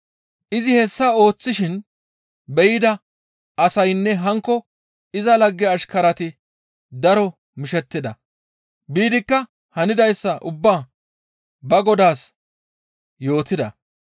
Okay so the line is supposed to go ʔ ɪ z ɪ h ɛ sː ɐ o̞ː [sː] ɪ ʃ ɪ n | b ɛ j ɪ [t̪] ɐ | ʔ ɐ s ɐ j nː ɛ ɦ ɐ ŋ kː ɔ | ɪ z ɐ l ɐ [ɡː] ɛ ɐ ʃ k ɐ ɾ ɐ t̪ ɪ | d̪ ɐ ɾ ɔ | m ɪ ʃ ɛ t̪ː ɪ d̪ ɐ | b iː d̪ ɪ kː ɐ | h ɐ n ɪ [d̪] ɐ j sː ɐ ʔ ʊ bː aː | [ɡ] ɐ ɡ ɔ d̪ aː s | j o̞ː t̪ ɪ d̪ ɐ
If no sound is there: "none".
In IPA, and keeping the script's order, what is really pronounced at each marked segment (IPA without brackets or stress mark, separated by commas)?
t͡sː, d̪, ɡː, d̪, b